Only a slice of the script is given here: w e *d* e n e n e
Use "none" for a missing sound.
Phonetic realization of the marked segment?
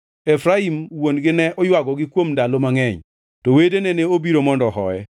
d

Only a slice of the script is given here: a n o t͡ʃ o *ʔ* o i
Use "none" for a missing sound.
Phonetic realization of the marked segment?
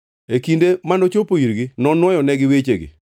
p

